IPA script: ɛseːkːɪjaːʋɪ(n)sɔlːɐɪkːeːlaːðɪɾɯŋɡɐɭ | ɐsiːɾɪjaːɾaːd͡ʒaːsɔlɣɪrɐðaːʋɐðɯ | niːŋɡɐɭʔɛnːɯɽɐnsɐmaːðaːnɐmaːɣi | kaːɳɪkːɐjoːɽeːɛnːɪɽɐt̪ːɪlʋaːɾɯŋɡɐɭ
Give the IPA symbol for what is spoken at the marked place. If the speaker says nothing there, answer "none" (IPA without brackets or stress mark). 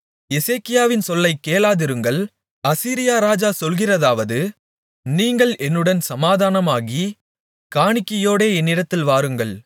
n